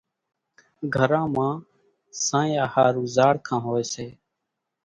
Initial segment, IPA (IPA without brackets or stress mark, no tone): ɡʱ